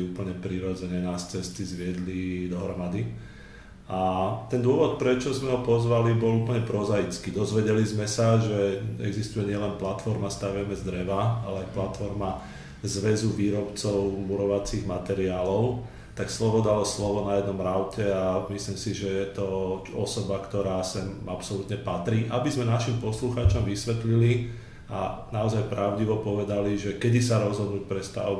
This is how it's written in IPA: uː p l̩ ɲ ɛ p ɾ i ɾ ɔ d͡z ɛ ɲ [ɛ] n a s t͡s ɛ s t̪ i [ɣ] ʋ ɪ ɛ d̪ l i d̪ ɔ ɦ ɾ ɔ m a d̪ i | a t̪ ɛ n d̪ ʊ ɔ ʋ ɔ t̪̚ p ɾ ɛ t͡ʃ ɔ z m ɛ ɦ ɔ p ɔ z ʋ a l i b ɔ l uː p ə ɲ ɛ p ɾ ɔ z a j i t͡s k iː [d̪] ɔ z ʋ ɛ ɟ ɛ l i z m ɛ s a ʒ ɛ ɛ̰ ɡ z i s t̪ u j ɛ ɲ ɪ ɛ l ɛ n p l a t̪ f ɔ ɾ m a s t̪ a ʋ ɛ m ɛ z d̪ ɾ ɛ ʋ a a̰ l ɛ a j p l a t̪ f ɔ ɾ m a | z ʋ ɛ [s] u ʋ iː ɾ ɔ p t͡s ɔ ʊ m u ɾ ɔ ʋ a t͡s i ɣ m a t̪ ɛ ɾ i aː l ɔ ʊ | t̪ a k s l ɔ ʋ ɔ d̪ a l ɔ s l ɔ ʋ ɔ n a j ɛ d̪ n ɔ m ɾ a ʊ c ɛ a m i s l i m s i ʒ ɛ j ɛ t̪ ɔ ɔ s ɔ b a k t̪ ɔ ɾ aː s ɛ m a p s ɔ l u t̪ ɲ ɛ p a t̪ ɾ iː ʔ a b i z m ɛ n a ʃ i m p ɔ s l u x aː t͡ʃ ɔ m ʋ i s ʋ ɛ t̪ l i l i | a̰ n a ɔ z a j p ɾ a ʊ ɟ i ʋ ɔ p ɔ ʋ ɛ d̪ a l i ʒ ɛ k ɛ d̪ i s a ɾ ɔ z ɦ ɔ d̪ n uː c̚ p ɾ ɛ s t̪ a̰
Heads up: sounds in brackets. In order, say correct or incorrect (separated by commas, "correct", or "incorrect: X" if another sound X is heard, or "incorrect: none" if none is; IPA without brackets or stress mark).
correct, incorrect: z, correct, incorrect: z